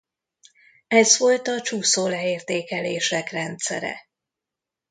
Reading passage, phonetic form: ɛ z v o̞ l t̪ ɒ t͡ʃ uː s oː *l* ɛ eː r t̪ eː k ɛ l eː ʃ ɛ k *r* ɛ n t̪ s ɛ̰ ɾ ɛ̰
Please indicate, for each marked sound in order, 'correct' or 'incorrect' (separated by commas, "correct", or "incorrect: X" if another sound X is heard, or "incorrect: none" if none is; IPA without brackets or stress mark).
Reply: correct, correct